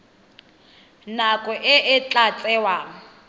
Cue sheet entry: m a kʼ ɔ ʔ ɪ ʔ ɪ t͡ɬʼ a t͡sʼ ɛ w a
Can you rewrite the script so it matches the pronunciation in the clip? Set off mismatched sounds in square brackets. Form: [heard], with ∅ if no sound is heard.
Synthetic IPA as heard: [n] a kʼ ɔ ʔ ɪ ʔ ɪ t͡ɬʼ a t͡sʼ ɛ w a